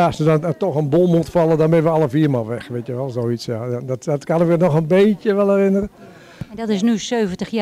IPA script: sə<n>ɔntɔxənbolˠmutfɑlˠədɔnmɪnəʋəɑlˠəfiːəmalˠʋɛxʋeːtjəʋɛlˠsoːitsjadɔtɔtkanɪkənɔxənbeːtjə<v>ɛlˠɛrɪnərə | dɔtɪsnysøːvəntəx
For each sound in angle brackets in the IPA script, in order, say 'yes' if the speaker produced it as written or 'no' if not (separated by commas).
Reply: no, no